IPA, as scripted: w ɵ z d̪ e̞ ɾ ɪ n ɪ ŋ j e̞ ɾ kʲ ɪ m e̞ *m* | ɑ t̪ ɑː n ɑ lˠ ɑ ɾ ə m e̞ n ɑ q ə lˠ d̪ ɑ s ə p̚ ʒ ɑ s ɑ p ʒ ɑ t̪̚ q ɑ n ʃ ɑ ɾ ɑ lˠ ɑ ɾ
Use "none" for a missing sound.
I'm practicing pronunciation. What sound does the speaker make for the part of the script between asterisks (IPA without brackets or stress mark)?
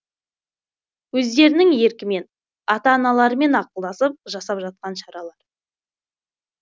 n